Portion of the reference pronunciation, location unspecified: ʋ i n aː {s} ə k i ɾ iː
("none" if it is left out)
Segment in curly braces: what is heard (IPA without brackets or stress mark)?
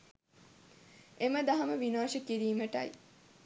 ʃ